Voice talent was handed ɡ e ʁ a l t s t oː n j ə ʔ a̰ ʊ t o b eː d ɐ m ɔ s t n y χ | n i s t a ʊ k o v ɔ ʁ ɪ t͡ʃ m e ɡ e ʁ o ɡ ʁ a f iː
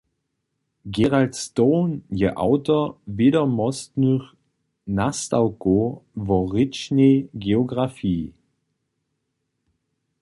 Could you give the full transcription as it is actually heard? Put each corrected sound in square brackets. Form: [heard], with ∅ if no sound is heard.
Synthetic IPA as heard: ɡ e ʁ a l t s t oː n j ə ʔ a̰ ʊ t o [v] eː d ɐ m ɔ s t n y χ | n [a] s t a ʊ k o v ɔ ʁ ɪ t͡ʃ [n] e ɡ e [∅] o ɡ ʁ a f iː